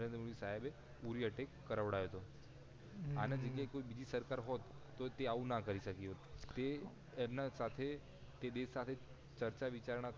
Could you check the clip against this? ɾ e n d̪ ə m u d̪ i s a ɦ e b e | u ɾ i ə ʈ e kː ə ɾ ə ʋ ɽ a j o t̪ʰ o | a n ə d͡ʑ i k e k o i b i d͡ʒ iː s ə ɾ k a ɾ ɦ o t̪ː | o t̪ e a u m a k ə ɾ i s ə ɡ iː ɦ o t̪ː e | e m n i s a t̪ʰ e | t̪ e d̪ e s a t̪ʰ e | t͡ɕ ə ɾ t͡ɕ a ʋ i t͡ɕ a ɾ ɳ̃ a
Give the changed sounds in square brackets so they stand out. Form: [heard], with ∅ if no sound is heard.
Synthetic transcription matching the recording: ɾ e n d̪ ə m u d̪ i s a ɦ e b e | u ɾ i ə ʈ e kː ə ɾ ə ʋ ɽ a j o [t̪] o | a n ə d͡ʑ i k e k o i b i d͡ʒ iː s ə ɾ k a ɾ ɦ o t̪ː | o t̪ e a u [n] a k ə ɾ i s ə [k] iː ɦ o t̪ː e | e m n [a] s a t̪ʰ e | t̪ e d̪ e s a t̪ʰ e | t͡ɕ ə ɾ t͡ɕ a ʋ i t͡ɕ a ɾ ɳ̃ a